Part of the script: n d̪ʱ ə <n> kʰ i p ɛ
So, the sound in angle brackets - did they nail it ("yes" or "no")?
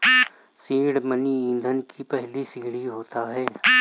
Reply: yes